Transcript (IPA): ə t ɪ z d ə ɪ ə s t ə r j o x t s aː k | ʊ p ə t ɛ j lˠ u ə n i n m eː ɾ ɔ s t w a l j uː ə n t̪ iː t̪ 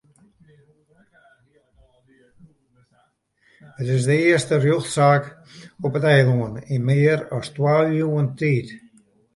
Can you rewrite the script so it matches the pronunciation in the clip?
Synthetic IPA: ə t ɪ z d ə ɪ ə s t ə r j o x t s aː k | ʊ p ə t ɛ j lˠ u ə n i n m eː ɾ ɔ s t w a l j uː ə n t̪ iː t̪